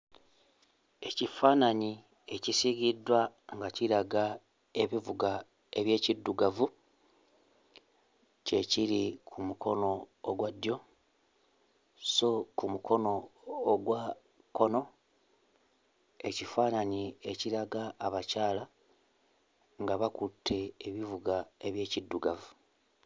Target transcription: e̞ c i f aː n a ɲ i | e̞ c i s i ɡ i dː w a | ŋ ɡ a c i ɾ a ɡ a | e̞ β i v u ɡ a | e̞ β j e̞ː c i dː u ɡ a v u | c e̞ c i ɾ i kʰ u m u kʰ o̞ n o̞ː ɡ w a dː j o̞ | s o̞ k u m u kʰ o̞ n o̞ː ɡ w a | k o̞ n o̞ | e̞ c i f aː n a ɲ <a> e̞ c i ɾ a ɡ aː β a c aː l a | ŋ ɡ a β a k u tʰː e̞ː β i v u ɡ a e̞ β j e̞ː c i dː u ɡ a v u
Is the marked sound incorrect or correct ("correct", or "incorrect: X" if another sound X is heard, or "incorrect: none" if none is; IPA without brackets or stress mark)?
incorrect: i